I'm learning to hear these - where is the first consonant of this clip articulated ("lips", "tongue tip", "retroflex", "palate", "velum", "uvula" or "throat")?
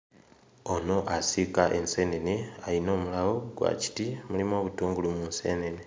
tongue tip